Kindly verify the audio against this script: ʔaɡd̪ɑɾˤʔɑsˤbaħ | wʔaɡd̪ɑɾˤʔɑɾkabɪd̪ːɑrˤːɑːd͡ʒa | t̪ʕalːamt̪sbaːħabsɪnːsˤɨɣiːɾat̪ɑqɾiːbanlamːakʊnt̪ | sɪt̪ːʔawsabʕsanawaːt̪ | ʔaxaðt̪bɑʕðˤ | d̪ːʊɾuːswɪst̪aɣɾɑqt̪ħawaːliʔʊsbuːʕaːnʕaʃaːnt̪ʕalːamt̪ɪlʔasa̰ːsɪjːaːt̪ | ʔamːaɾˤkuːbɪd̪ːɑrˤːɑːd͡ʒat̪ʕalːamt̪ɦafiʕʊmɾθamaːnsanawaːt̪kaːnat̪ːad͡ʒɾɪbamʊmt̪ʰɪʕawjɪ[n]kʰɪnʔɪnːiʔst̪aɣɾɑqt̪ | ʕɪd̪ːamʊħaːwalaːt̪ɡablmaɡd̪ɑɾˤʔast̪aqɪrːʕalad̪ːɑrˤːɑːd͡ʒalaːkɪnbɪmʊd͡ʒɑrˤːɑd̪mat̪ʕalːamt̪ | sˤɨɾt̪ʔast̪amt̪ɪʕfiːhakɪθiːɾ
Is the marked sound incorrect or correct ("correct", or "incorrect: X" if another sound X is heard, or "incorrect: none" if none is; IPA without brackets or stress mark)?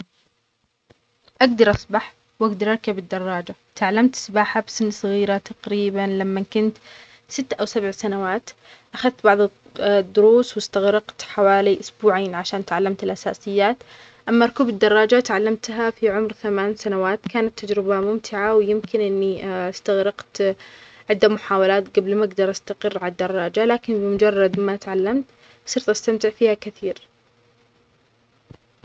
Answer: incorrect: m